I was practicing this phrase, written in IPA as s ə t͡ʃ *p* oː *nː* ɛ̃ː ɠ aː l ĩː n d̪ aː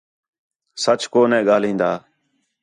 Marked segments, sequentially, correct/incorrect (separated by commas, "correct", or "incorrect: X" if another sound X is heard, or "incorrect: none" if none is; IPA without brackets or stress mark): incorrect: k, incorrect: n